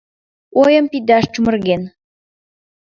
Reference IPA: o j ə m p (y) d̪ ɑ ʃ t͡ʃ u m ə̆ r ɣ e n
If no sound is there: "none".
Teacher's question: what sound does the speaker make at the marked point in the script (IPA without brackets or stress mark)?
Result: i